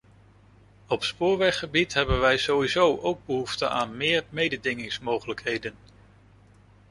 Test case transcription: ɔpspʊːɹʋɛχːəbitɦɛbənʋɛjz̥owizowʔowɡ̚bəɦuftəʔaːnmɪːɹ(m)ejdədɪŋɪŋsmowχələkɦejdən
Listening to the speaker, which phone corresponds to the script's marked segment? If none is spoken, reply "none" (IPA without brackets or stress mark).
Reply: m